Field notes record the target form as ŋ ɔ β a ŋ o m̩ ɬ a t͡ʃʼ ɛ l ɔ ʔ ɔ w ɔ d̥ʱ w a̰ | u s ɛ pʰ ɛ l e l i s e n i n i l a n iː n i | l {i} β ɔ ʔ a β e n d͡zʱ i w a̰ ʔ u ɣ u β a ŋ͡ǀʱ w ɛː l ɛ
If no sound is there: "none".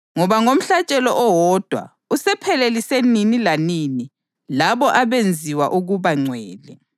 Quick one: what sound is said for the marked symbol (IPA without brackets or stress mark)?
a